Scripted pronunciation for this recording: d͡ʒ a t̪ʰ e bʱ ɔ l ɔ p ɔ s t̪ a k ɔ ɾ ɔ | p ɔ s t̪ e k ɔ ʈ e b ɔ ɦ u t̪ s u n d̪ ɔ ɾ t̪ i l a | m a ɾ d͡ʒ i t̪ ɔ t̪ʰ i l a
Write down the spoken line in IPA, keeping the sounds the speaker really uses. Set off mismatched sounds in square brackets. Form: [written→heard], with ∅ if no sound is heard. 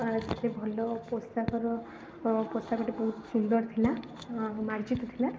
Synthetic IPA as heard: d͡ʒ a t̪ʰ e bʱ ɔ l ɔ p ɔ s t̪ a k ɔ ɾ ɔ | p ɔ s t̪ [e→a] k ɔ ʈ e b ɔ ɦ u t̪ s u n d̪ ɔ ɾ [t̪→t̪ʰ] i l a | m a ɾ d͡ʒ i t̪ ɔ t̪ʰ i l a